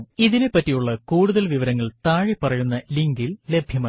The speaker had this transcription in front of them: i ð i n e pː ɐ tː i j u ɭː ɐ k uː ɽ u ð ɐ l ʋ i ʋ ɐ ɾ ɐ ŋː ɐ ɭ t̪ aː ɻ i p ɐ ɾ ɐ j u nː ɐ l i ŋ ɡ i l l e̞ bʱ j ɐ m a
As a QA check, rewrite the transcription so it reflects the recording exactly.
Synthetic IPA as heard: i ð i n e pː ɐ tː i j u ɭː ɐ k uː ɽ u ð ɐ l ʋ i ʋ ɐ ɾ ɐ ŋː ɐ ɭ t̪ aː ɻ i p ɐ r ɐ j u nː ɐ l i ŋ ɡ i l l e̞ bʱ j ɐ m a